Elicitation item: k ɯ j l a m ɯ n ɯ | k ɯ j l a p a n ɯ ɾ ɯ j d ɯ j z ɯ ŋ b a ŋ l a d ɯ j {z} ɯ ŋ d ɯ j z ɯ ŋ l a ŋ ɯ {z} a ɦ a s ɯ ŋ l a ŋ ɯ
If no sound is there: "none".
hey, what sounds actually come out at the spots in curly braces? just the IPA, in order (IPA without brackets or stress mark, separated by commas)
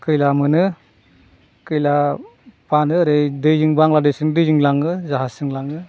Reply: s, z